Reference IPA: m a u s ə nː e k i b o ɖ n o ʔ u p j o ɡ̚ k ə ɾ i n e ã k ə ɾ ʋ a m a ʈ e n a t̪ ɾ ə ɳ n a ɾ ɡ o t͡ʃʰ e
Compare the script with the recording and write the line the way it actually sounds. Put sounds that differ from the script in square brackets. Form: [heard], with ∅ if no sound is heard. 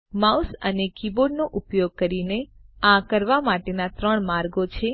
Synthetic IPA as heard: m a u s ə [n] e k i b o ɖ n o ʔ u p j o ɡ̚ k ə ɾ i n e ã k ə ɾ ʋ a m a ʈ e n a t̪ ɾ ə ɳ [m] a ɾ ɡ o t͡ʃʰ e